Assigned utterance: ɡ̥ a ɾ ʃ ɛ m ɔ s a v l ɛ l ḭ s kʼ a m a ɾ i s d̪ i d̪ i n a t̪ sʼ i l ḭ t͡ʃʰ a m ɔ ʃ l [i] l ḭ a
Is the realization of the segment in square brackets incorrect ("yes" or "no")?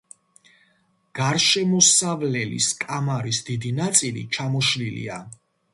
no